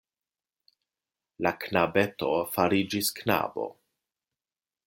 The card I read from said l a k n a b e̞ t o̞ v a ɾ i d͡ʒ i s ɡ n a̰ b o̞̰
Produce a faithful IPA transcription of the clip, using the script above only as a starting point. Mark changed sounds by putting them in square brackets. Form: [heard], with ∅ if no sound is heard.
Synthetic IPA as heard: l a k n a b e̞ t o̞ [f] a ɾ i d͡ʒ i s [k] n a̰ b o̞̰

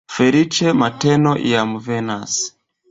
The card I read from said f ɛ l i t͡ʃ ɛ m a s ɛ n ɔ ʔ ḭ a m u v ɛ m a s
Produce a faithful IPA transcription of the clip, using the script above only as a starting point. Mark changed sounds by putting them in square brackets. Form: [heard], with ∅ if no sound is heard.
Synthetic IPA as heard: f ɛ [ɾ] i t͡ʃ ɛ m a [t] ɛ n ɔ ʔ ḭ a m u v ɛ [n] a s

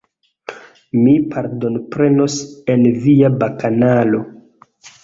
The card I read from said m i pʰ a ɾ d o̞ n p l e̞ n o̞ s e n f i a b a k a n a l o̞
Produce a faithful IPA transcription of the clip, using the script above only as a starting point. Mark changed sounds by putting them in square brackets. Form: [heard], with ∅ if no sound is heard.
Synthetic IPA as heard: m i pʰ a ɾ d o̞ n p [ɾ] e̞ n o̞ s e n [v] i a b a k a n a l o̞

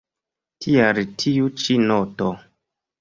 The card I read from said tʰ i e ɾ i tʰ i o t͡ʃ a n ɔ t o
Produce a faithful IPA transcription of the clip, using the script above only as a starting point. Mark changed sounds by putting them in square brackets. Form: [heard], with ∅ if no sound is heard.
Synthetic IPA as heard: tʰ i [a] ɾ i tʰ i [u] t͡ʃ [i] n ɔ t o

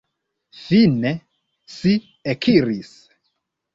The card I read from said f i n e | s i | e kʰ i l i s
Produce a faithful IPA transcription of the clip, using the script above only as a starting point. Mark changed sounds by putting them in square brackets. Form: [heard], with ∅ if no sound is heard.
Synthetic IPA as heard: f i n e | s i | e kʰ i [ɾ] i s

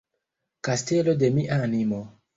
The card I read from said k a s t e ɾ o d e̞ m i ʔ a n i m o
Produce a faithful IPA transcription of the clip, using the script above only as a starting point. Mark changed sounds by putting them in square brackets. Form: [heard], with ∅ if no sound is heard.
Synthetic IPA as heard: k a s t e [l] o d e̞ m i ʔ a n i m o

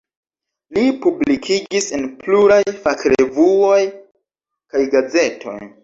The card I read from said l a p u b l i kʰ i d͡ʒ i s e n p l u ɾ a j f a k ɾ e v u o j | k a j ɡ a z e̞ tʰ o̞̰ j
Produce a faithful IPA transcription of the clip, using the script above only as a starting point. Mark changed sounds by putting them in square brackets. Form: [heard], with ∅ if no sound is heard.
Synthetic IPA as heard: l [i] p u b l i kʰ i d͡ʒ i s e n p l u ɾ a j f a k ɾ e v u o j | k a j ɡ a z e̞ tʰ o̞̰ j

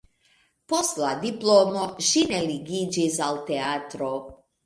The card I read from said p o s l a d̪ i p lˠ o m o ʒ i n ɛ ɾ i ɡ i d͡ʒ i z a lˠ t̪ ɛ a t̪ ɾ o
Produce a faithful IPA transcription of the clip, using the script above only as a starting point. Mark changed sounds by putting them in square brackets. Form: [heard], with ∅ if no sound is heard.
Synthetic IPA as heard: p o s l a d̪ i p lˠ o m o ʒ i n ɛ [l] i ɡ i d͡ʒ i z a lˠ t̪ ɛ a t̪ ɾ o

